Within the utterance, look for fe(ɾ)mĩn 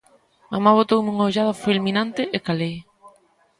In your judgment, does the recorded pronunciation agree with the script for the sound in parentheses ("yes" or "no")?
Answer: no